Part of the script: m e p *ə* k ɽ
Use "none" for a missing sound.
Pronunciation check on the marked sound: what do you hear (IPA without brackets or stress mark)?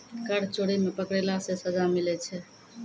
ə